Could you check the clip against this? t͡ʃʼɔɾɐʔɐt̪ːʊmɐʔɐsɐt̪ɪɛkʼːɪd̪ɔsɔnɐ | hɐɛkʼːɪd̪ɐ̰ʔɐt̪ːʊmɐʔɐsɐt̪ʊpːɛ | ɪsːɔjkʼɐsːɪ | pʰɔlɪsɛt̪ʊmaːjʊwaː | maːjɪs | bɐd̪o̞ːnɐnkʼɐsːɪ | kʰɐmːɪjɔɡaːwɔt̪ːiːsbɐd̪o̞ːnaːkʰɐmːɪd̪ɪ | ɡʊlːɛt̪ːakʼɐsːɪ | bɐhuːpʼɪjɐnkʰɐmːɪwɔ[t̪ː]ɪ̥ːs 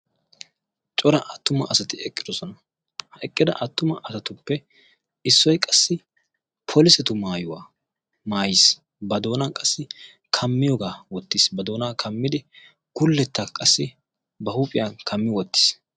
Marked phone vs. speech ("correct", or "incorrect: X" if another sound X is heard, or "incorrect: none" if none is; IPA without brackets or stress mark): correct